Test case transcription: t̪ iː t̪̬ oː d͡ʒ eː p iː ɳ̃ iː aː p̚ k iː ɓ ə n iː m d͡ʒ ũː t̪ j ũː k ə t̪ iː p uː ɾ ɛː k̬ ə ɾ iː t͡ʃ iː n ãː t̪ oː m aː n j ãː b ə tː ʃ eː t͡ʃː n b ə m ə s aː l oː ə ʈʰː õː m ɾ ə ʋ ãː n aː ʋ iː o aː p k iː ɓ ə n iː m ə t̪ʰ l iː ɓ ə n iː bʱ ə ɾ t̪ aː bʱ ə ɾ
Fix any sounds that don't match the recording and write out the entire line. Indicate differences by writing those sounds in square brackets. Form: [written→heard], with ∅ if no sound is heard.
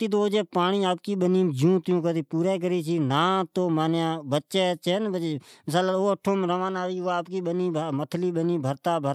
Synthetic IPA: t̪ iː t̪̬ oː d͡ʒ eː p [iː→aː] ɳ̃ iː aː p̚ k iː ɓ ə n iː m d͡ʒ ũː t̪ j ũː k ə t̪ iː p uː ɾ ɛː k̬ ə ɾ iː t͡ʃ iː n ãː t̪ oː m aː n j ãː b ə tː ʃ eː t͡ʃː n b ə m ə s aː l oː ə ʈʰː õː m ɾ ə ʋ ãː n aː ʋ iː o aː p k iː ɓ ə n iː m ə t̪ʰ l iː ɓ ə n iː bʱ ə ɾ t̪ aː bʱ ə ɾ